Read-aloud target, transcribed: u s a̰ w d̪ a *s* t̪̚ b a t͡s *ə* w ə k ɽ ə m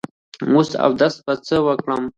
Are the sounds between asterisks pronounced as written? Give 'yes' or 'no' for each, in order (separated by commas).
yes, yes